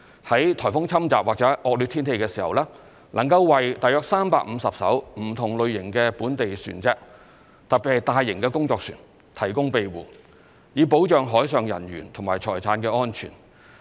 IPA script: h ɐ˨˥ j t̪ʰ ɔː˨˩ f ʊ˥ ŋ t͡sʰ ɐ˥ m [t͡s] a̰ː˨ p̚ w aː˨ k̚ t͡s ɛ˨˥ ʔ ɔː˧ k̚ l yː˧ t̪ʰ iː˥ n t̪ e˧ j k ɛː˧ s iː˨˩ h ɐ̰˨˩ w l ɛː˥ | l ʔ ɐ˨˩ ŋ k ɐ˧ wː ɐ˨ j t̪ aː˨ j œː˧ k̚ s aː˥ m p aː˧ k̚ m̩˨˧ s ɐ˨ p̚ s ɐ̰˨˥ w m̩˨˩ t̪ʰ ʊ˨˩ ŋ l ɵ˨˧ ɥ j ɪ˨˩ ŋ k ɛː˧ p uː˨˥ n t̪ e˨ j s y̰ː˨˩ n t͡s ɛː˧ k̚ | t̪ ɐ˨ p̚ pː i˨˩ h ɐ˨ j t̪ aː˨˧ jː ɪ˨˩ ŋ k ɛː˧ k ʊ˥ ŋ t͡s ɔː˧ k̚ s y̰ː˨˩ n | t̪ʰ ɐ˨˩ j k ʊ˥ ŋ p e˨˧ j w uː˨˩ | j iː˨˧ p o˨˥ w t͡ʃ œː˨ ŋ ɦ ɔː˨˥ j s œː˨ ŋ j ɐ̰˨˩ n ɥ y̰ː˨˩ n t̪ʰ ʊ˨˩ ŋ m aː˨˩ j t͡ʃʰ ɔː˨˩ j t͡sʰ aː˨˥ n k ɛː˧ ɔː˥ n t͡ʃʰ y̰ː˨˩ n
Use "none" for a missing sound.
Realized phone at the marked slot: t͡s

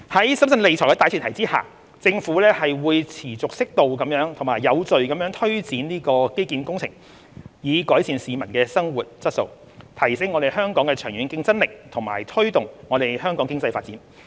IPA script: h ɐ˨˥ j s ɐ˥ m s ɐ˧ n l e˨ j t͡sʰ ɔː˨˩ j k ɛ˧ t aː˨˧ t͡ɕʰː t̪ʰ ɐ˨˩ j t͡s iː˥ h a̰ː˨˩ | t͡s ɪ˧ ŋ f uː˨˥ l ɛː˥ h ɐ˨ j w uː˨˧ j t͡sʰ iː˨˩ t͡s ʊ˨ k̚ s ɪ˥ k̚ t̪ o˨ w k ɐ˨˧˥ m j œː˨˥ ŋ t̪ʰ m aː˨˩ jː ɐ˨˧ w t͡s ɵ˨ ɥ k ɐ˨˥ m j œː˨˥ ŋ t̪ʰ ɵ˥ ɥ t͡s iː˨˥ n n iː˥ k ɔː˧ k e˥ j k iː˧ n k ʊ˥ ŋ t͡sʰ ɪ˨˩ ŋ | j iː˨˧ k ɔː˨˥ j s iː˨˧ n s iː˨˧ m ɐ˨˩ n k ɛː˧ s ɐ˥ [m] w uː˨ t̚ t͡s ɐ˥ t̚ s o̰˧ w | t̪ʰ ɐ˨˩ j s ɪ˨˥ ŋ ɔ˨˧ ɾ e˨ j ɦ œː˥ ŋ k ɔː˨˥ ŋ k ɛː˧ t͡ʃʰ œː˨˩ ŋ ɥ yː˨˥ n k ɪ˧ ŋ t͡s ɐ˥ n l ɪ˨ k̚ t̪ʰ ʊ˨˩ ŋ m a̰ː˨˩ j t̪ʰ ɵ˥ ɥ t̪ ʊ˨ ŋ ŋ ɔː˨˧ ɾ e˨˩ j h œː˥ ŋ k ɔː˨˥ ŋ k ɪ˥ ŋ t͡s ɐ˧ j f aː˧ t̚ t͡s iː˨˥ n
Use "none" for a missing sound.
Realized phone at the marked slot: ŋ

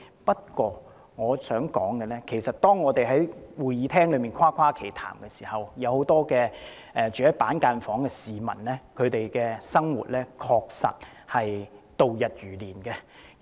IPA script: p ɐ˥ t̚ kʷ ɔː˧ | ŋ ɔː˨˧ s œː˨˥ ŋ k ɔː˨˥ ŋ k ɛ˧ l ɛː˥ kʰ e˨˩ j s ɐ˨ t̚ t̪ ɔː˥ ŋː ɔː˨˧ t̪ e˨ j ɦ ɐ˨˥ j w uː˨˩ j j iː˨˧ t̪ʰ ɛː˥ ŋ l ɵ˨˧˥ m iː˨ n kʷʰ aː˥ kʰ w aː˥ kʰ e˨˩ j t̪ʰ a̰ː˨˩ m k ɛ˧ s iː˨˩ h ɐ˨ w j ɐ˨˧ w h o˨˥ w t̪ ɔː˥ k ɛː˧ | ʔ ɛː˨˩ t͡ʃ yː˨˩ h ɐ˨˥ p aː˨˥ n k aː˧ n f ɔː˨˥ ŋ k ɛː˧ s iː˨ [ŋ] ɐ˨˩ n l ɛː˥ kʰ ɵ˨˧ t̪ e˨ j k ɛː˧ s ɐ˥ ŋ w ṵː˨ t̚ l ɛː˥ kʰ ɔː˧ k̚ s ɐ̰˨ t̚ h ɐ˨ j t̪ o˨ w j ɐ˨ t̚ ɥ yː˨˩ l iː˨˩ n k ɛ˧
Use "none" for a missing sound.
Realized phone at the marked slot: m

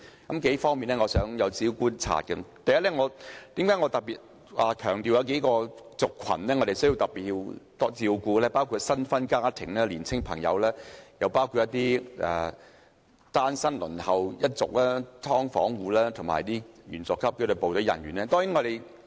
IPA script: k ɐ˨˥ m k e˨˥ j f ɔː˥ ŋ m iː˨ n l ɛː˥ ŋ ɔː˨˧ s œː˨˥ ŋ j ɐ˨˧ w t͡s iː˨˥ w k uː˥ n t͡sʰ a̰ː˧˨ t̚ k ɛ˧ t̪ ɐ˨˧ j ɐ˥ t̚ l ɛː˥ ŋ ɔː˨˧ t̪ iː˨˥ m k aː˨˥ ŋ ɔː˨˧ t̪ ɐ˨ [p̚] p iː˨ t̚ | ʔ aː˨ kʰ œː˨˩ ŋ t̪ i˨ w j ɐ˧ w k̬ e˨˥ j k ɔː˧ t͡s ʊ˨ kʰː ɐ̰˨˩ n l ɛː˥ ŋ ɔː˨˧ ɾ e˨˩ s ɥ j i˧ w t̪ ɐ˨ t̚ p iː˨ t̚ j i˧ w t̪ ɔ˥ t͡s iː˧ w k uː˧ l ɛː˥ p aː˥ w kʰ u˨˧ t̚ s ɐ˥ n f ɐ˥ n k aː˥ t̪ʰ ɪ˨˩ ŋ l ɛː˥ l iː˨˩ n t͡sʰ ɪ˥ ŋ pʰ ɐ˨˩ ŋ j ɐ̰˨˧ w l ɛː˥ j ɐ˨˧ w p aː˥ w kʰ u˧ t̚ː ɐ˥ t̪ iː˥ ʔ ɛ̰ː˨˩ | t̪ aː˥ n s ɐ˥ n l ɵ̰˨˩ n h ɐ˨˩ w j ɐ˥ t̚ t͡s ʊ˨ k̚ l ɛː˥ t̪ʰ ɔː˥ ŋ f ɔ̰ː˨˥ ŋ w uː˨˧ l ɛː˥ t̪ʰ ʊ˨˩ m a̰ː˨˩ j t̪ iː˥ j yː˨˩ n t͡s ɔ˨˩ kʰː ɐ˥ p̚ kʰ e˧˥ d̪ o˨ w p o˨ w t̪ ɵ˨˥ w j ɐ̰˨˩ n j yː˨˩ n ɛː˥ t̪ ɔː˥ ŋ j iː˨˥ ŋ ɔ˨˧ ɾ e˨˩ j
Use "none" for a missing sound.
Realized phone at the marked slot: k̚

